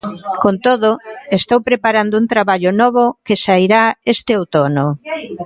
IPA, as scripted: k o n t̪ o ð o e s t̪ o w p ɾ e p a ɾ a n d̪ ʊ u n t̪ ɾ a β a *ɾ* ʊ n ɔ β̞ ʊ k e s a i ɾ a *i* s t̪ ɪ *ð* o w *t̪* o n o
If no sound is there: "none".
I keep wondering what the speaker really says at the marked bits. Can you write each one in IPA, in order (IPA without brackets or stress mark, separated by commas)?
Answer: ʎ, e, none, t̪